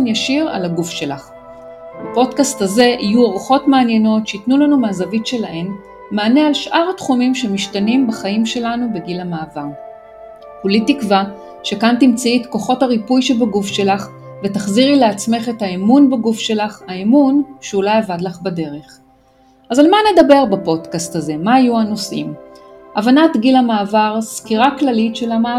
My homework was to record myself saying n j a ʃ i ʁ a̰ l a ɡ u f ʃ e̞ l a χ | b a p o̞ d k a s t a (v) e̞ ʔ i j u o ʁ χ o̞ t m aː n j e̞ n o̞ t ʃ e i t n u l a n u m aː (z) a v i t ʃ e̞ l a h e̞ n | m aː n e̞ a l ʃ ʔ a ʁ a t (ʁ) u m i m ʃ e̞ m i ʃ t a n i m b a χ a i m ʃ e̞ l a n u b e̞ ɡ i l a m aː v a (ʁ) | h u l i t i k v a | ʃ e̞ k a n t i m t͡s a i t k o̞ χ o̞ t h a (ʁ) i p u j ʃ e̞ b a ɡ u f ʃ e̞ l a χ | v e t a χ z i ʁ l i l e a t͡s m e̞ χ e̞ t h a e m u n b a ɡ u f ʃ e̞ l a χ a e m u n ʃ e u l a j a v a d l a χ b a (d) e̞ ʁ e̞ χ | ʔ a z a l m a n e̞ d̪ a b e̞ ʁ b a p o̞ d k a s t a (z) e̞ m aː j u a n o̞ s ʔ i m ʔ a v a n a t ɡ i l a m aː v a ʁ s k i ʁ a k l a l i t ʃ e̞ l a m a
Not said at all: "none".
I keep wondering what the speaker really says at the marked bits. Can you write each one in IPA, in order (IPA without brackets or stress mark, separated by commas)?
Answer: z, z, χ, ʁ, ʁ, d, z